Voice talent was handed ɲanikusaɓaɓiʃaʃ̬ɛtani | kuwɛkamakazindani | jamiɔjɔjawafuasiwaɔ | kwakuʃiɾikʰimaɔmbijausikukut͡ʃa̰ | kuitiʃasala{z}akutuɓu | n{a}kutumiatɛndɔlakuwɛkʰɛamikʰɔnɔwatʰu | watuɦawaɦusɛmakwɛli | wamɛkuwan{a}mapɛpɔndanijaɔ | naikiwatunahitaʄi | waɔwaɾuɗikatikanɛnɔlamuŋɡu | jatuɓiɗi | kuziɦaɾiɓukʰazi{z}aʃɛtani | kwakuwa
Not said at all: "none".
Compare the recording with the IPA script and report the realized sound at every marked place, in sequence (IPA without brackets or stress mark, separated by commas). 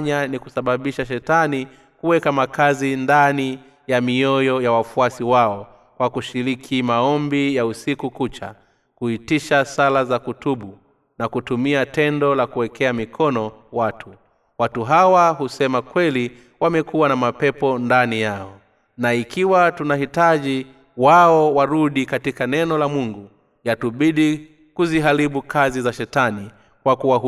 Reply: z, a, a, z